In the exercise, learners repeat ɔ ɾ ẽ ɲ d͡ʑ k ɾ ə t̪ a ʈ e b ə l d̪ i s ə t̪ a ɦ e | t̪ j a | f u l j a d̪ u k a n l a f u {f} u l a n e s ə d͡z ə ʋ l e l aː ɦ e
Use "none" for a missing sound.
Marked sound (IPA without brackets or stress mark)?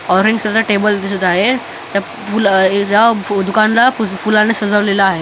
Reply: f